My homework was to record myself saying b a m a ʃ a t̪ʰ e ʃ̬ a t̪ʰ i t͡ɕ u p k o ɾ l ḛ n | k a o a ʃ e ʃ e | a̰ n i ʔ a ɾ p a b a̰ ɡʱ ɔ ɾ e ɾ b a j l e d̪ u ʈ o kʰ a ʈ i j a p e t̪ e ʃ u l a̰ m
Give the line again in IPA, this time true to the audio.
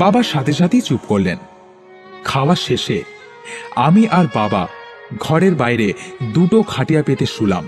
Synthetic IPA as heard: b a b a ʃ a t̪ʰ e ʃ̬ a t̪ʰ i t͡ɕ u p k o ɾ l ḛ n | kʰ a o a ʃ e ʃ e | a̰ m i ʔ a ɾ b a b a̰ ɡʱ ɔ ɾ e ɾ b a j ɾ e d̪ u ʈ o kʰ a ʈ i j a p e t̪ e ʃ u l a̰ m